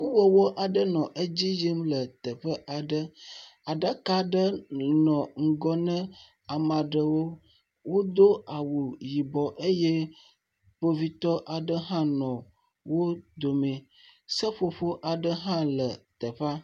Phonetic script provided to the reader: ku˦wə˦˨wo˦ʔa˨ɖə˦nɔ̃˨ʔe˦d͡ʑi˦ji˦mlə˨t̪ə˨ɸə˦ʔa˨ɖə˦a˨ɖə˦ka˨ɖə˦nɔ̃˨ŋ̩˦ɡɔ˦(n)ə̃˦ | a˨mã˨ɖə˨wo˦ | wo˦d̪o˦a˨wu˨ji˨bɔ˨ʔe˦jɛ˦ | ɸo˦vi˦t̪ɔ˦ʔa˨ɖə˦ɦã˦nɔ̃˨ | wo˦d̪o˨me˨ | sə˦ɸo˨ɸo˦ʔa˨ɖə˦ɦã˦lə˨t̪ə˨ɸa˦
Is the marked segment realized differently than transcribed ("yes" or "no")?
no